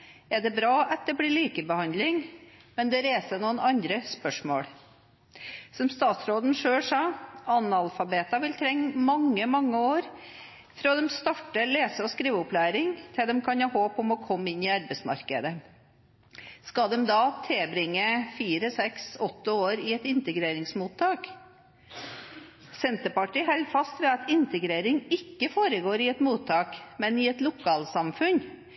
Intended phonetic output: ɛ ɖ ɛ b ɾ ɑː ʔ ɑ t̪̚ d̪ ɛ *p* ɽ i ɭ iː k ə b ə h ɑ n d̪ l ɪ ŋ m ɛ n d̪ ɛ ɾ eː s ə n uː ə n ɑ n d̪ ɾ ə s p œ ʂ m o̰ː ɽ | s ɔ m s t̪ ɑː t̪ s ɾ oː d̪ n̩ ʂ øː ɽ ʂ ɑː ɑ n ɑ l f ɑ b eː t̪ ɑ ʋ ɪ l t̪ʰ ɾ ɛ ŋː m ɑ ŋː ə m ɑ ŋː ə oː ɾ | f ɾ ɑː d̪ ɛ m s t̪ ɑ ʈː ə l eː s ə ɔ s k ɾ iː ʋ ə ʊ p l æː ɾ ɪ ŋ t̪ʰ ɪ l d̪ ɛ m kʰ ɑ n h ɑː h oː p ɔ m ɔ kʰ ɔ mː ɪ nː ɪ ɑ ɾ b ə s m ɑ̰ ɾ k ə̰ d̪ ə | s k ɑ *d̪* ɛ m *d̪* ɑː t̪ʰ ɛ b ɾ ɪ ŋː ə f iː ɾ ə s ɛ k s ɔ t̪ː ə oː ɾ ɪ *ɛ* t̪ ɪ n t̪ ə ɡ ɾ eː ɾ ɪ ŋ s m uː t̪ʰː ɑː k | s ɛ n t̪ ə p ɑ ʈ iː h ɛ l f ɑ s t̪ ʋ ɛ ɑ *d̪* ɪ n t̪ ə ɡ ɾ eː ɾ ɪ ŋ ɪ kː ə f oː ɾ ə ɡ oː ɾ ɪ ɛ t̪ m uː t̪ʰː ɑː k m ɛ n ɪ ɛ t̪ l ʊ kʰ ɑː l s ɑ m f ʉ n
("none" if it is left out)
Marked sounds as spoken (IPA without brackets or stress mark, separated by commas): b, d̪, d̪, ɛ, t̪